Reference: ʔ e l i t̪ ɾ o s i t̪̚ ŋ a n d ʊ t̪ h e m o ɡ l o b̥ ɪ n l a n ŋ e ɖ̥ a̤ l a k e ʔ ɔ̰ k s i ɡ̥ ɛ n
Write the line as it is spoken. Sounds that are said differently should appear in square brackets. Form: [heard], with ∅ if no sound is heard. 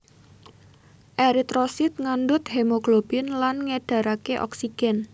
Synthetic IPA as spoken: ʔ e [ɾ] i t̪ ɾ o s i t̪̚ ŋ a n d ʊ t̪ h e m o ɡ l o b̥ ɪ n l a n ŋ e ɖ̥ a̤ [ɾ] a k e ʔ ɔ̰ k s i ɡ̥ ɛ n